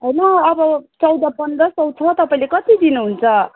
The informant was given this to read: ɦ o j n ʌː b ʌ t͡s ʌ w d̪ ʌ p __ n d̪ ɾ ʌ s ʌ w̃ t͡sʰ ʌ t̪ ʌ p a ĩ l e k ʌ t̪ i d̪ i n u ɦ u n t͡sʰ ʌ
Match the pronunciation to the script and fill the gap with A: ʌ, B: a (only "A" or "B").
A